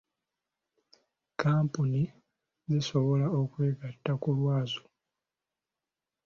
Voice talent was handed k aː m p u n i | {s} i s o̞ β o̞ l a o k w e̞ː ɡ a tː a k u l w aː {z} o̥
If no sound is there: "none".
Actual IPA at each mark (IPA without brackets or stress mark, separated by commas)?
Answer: z, z